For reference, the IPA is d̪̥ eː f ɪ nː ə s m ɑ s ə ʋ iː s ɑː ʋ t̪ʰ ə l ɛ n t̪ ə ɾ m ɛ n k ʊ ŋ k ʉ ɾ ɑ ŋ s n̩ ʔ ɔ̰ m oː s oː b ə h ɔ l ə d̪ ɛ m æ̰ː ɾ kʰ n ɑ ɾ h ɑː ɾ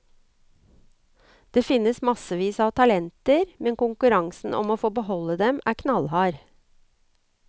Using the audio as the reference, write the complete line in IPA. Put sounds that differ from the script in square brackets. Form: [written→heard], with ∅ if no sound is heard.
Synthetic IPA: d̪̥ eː f ɪ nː ə s m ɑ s ə ʋ iː s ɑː ʋ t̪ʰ [ə→ɑ] l ɛ n t̪ ə ɾ m ɛ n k ʊ ŋ k ʉ ɾ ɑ ŋ s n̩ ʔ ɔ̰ m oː [s→f] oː b ə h ɔ l ə d̪ ɛ m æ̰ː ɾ kʰ n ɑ [ɾ→l] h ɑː ɾ